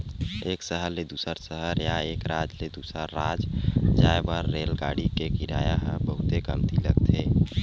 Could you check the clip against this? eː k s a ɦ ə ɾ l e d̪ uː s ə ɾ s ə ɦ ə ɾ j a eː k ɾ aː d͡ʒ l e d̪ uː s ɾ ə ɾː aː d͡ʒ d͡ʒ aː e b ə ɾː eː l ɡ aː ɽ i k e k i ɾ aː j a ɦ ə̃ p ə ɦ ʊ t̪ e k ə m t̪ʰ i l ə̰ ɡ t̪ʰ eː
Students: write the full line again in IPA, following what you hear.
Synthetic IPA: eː k s ə ɦ ə ɾ l e d̪ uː s ə ɾ s ə ɦ ə ɾ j a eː k ɾ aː d͡ʒ l e d̪ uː s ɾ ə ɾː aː d͡ʒ d͡ʒ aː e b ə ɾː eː l ɡ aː ɽ i k e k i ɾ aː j a ɦ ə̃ b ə ɦ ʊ t̪ e k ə m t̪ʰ i l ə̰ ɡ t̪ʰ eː